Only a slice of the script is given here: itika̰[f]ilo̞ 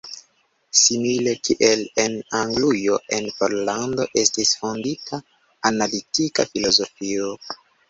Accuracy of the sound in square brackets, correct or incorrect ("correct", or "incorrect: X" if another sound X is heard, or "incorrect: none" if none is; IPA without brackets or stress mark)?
correct